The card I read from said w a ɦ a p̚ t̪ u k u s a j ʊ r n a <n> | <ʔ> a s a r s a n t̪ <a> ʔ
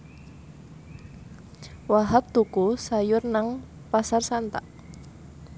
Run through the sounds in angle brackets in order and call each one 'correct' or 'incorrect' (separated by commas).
incorrect, incorrect, correct